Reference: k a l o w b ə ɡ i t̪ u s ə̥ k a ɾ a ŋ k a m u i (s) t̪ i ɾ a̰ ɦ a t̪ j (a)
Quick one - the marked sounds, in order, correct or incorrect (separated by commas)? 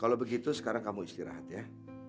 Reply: correct, correct